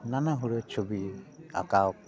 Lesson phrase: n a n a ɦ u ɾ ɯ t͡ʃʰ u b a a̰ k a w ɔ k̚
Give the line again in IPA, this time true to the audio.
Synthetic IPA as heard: n a n a ɦ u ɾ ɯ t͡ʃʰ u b i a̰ k a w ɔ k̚